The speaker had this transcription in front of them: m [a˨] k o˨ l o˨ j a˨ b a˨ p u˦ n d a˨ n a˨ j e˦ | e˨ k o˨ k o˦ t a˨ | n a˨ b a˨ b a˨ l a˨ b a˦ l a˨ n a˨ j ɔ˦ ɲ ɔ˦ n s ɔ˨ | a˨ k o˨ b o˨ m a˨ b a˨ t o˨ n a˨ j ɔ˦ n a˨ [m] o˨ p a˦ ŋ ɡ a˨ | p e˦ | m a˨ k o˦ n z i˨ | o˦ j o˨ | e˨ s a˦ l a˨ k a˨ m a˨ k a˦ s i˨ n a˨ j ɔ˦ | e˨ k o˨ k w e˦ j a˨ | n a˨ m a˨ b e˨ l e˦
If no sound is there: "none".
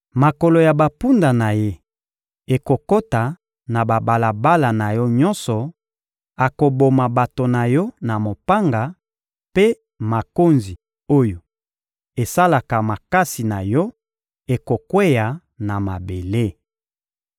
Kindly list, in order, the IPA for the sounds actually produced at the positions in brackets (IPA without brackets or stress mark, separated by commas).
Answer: a˨, m